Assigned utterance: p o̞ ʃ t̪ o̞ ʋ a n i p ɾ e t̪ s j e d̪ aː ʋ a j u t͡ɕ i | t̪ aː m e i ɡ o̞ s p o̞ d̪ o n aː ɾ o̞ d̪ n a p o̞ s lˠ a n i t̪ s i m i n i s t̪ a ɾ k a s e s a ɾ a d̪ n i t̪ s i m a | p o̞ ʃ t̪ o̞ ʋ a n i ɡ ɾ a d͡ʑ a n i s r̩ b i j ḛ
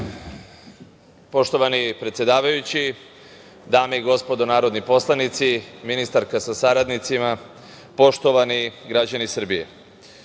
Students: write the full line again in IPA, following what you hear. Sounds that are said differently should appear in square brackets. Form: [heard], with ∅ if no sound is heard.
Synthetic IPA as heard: p o̞ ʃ t̪ o̞ ʋ a n i p ɾ e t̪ s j e d̪ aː ʋ a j u t͡ɕ i | [d̪] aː m e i ɡ o̞ s p o̞ d̪ o n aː ɾ o̞ d̪ n [i] p o̞ s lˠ a n i t̪ s i m i n i s t̪ a ɾ k a s [a] s a ɾ a d̪ n i t̪ s i m a | p o̞ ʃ t̪ o̞ ʋ a n i ɡ ɾ a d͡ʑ a n i s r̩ b i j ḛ